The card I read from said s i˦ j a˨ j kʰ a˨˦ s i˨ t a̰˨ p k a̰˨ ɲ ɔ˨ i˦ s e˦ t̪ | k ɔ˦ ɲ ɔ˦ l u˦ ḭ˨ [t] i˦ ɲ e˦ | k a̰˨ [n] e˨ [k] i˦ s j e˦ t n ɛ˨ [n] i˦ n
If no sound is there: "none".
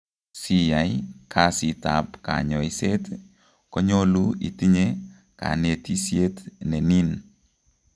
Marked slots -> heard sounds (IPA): t, n, t, n

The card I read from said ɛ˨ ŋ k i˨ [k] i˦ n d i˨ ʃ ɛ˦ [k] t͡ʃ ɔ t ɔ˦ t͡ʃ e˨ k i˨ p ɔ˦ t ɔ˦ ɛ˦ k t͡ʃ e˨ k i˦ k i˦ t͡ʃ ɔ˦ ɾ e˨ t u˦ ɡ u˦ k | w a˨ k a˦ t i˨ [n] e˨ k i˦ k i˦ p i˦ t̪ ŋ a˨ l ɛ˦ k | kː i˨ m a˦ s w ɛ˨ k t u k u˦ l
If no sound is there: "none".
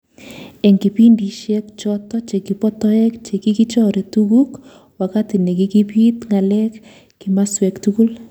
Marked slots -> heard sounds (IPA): p, k, n

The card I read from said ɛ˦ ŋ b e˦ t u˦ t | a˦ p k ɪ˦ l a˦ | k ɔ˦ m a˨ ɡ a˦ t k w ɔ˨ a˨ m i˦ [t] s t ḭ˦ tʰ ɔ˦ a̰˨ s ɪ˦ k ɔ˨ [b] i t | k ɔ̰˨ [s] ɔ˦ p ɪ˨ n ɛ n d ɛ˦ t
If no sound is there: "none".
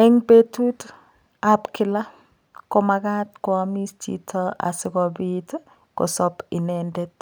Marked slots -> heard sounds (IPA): none, b, s

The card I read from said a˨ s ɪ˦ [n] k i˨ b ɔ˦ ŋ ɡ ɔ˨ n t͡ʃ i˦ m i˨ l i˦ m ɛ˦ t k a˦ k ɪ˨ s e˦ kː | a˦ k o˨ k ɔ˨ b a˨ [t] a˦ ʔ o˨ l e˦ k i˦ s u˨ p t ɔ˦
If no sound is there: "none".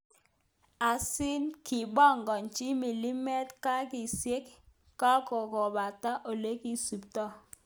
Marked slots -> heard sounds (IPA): n, t

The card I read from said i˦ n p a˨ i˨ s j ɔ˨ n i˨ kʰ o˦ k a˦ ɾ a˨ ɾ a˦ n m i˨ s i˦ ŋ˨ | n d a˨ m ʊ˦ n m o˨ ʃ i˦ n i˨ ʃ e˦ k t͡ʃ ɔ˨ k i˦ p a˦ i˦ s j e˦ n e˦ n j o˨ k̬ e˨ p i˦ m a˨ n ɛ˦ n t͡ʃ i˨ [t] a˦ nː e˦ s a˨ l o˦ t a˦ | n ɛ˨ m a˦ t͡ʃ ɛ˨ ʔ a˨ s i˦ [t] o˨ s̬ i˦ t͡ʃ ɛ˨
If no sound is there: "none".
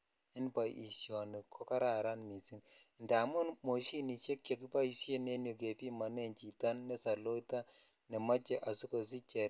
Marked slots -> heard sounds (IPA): t, k

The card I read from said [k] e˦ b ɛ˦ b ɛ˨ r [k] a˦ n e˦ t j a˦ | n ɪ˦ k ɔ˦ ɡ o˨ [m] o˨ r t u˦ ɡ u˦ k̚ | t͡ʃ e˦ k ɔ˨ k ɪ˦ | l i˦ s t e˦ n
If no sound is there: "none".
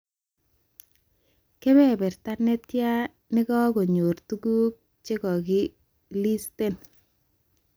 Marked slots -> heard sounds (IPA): k, t, ɲ

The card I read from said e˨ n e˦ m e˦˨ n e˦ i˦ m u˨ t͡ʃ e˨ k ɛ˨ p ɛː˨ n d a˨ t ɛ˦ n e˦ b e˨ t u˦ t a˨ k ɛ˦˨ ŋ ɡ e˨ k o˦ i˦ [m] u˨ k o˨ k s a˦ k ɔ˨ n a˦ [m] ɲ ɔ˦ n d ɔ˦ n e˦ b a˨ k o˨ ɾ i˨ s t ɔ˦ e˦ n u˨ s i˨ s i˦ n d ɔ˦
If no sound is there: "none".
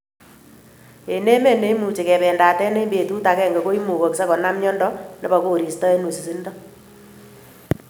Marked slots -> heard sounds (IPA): m, m

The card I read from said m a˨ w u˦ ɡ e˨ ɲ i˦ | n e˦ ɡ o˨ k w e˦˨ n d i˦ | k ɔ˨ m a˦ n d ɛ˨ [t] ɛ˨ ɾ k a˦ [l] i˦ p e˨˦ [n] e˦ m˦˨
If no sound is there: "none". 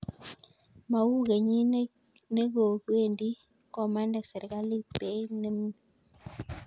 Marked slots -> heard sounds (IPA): s, l, n

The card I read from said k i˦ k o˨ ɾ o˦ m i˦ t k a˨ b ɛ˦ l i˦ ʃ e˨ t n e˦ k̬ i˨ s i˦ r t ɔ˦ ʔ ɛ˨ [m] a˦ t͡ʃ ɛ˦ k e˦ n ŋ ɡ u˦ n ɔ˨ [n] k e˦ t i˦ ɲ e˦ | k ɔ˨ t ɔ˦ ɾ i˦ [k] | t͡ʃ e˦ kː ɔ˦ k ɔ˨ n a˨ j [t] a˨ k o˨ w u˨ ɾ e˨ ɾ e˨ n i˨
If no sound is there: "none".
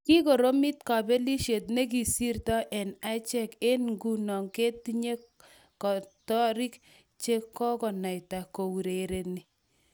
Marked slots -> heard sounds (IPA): n, ŋ, k, t

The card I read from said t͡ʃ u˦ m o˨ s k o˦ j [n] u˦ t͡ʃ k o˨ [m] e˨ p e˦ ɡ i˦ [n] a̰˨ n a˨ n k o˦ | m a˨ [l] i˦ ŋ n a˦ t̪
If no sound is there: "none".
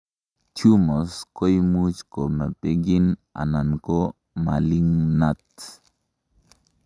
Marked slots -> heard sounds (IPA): m, m, n, l

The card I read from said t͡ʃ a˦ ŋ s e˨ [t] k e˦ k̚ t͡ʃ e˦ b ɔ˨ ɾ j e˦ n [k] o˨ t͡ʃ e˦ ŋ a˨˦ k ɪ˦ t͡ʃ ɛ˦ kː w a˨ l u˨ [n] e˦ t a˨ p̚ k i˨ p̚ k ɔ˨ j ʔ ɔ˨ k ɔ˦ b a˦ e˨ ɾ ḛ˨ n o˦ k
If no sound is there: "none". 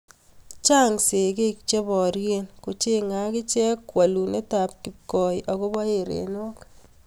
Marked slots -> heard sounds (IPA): none, k, n

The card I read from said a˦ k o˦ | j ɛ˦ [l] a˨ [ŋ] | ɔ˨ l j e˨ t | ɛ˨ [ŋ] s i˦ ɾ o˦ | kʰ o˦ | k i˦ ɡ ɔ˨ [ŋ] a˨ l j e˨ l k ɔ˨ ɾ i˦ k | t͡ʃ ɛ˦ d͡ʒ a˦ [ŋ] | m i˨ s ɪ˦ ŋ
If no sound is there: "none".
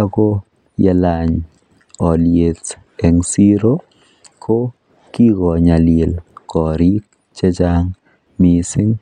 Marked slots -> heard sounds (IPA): l, ɲ, ŋ, ɲ, ŋ

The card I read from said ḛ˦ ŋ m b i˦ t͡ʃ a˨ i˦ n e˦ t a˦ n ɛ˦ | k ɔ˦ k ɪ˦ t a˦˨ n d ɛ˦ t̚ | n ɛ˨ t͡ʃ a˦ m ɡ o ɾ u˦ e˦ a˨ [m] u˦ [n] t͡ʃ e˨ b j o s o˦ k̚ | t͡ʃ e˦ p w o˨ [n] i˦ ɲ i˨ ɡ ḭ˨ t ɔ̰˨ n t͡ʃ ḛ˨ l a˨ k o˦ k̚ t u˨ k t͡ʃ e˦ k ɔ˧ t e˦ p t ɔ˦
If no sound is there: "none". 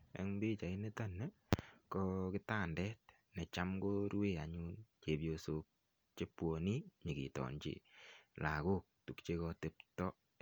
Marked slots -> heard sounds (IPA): ɲ, n, n

